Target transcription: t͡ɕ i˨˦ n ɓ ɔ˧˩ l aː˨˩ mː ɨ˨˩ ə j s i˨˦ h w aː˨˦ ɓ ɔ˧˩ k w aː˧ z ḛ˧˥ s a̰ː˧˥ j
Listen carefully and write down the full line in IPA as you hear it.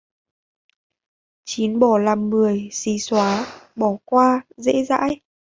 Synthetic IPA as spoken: t͡ɕ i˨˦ n ɓ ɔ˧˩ l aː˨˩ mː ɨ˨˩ ə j s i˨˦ s w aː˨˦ ɓ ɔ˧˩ k w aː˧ z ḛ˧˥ z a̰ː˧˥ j